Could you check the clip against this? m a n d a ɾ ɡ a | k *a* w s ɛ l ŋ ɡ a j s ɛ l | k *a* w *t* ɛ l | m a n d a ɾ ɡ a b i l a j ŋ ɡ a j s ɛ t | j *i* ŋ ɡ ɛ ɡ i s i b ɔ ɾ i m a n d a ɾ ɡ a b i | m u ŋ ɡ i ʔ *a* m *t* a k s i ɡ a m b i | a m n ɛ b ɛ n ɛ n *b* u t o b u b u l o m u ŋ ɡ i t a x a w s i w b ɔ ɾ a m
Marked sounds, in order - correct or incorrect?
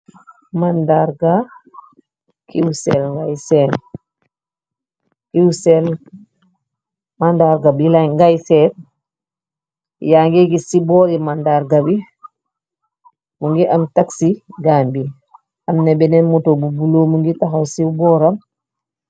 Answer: incorrect, incorrect, incorrect, incorrect, correct, correct, incorrect

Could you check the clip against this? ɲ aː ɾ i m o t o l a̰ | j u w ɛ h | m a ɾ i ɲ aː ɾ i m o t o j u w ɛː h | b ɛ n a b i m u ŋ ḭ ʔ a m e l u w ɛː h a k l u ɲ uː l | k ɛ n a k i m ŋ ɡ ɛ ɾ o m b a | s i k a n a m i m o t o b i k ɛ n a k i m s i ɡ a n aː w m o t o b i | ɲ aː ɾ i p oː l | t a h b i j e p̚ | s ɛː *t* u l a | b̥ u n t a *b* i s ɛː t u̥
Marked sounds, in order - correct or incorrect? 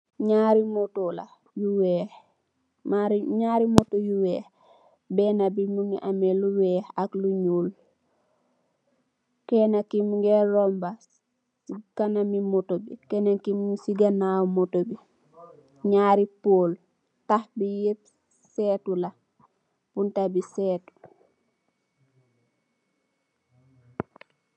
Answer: correct, correct

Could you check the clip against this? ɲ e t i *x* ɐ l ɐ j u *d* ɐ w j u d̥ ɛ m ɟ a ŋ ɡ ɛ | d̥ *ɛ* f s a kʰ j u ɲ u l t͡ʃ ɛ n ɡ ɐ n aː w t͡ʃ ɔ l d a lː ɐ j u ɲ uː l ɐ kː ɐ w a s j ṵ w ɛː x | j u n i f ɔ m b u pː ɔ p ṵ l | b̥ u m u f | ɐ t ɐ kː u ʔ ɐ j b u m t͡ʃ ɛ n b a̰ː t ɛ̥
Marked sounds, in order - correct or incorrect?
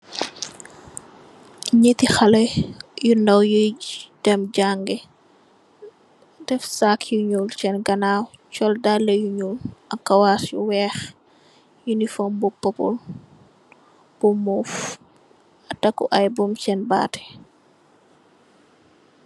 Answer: correct, incorrect, correct

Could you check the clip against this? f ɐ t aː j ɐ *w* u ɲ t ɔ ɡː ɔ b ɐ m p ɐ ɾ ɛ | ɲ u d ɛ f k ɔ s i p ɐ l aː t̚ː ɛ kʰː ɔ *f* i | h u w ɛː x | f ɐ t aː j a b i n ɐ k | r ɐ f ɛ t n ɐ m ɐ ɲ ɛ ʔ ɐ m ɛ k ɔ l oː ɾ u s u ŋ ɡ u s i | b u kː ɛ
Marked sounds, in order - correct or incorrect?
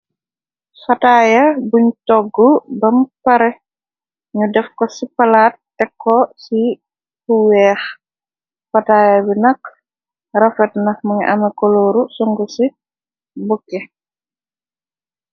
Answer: incorrect, incorrect

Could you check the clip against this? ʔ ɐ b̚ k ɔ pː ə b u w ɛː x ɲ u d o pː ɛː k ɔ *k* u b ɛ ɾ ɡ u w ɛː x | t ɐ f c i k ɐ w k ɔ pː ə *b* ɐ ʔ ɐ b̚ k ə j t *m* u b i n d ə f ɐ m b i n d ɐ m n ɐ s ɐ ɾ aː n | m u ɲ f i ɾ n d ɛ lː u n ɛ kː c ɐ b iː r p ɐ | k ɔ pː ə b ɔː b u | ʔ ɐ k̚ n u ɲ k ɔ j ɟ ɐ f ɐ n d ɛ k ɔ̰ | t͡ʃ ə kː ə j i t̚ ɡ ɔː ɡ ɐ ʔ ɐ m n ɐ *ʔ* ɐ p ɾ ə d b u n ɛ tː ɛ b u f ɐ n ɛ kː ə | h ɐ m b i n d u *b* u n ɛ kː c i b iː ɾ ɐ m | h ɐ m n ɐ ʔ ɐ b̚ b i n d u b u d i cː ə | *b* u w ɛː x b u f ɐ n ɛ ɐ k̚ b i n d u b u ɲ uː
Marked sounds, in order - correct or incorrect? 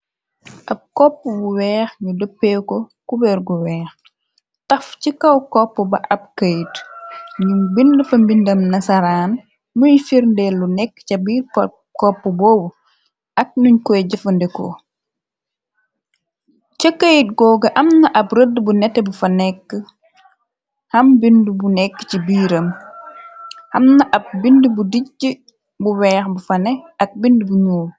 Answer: correct, correct, incorrect, correct, correct, correct

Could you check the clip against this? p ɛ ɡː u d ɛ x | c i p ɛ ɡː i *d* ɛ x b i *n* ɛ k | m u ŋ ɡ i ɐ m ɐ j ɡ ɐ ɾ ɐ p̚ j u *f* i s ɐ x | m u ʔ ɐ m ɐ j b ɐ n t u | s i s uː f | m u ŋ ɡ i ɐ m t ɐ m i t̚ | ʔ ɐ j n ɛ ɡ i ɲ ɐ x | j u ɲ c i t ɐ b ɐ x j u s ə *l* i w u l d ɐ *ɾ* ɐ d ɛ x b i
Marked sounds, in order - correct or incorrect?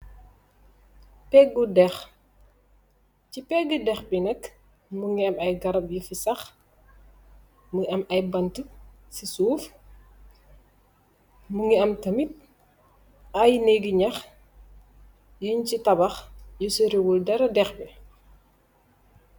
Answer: correct, correct, correct, incorrect, correct

